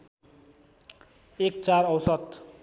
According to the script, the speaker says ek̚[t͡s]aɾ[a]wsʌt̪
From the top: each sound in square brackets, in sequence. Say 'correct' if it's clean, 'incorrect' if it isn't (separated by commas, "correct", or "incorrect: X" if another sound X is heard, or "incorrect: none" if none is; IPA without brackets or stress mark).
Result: correct, incorrect: ʌ